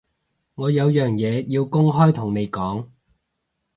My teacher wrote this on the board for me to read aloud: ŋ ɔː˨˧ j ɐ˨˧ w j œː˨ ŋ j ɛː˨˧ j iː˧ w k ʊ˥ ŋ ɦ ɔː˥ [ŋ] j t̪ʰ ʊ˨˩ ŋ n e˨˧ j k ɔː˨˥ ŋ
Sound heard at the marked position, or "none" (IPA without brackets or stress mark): none